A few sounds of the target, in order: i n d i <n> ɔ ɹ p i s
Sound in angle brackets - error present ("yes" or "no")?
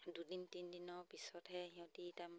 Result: no